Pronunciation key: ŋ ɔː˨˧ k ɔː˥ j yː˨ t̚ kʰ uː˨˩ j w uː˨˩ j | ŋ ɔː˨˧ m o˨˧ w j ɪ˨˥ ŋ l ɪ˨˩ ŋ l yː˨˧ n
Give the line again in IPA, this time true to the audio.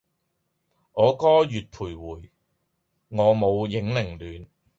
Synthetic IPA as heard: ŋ ɔː˨˧ k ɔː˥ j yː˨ t̚ pʰ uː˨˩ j w uː˨˩ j | ŋ ɔː˨˧ m o˨˧ w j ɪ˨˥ ŋ l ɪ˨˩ ŋ l yː˨˧ n